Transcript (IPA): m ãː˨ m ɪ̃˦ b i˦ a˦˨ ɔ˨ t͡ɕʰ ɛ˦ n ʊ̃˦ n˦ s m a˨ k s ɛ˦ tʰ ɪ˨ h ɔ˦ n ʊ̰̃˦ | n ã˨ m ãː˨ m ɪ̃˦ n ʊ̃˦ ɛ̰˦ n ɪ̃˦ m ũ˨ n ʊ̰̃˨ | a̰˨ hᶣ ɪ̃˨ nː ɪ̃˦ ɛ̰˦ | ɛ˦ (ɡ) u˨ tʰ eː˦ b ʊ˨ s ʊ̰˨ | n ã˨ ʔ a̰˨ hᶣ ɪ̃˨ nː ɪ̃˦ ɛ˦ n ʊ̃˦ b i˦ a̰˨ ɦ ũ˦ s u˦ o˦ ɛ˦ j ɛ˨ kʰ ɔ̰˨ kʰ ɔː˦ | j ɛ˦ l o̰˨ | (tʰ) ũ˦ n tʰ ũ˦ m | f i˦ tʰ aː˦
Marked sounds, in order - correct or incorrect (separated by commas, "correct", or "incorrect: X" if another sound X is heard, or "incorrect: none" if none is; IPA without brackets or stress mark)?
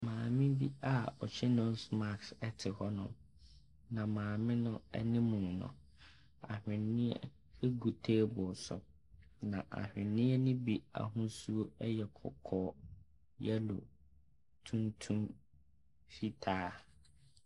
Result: correct, correct